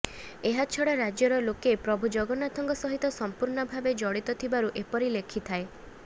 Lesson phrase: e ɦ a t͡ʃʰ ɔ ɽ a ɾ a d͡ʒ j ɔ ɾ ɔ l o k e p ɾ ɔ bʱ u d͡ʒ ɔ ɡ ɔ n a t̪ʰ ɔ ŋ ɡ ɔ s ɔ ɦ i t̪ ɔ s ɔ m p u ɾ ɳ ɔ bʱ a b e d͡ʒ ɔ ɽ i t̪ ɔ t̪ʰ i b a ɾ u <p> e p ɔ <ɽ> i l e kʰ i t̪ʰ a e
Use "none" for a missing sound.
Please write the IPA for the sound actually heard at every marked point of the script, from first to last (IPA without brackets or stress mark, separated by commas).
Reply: ʔ, ɾ